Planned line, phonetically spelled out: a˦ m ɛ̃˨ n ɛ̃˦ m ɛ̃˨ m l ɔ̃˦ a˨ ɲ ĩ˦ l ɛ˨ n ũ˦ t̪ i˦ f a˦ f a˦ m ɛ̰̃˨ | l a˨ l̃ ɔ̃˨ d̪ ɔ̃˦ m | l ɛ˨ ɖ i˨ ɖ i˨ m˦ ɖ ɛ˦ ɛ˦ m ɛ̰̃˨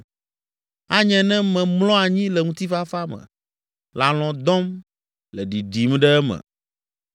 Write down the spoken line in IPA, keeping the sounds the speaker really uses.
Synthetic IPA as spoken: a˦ ɲ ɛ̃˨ n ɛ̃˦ m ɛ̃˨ m l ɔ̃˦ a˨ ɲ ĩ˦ l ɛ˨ ŋ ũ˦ t̪ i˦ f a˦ f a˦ m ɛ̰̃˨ | l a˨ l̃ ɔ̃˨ d̪ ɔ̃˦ m | l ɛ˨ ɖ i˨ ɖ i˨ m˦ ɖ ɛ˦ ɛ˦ m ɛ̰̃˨